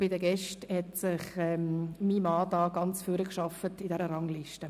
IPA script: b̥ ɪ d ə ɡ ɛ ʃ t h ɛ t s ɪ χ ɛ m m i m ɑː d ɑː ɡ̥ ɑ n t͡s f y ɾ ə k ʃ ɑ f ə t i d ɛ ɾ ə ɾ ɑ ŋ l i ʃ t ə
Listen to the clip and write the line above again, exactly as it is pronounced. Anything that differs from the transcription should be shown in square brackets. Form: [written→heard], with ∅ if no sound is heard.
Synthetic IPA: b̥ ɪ d ə ɡ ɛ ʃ t h ɛ t s ɪ χ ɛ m m i m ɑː d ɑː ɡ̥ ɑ n t͡s f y ɾ ə k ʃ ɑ f ə t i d ɛ ɾ ə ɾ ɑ ŋ l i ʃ t ə